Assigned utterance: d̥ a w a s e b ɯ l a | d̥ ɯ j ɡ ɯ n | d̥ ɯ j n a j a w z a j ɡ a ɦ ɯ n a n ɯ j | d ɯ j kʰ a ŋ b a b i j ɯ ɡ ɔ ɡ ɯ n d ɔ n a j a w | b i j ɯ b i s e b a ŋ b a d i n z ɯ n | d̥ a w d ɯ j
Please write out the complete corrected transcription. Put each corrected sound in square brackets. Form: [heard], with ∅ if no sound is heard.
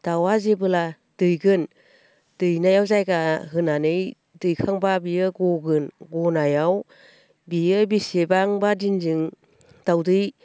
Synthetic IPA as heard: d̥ a w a [z] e b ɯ l a | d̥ ɯ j ɡ ɯ n | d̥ ɯ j n a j a w z a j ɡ a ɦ ɯ n a n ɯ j | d ɯ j kʰ a ŋ b a b i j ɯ ɡ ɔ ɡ ɯ n [ɡ] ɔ n a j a w | b i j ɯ b i s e b a ŋ b a d i n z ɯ [ŋ] | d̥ a w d ɯ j